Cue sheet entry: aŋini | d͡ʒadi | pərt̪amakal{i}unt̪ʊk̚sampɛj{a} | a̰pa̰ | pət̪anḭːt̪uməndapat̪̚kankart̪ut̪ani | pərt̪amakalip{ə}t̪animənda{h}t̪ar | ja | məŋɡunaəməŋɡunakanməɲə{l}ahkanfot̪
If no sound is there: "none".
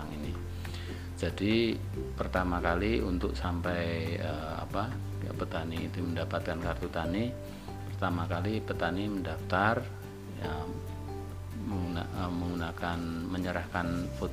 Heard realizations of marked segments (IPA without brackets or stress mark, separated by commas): i, ə, ə, f, ɾ